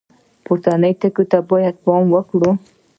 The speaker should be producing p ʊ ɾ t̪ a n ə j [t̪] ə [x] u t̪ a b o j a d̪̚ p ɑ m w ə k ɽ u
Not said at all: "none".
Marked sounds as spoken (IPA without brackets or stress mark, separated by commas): t̪, k